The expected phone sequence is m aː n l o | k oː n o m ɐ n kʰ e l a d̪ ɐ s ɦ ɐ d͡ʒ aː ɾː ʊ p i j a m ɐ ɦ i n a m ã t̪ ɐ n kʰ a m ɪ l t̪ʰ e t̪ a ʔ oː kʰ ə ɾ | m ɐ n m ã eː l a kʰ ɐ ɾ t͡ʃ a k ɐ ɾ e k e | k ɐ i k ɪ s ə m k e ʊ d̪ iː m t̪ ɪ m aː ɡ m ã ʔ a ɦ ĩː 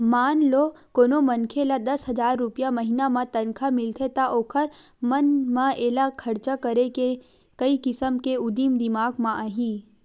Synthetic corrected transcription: m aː n l o | k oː n o m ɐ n kʰ e l a d̪ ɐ s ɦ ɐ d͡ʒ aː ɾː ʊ p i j a m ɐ ɦ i n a m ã t̪ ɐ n kʰ a m ɪ l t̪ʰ e t̪ a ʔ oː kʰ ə ɾ | m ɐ n m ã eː l a kʰ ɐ ɾ t͡ʃ a k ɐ ɾ e k e | k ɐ i k ɪ s ə m k e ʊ d̪ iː m d̪ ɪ m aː ɡ m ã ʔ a ɦ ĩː